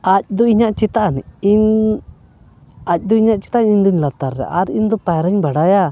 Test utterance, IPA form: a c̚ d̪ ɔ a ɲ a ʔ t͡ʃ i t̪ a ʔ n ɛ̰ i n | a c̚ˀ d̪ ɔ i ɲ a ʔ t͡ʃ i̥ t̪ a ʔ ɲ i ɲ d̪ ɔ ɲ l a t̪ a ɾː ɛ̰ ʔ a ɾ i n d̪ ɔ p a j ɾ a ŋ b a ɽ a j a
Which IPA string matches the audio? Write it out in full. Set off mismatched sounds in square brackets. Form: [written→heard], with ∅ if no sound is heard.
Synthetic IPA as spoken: a c̚ d̪ ɔ [a→i] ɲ a ʔ t͡ʃ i t̪ a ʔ n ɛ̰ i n | a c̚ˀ d̪ ɔ i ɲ a ʔ t͡ʃ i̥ t̪ a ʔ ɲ i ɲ d̪ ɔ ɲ l a t̪ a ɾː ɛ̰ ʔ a ɾ i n d̪ ɔ p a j ɾ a [ŋ→ɲ] b a ɽ a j a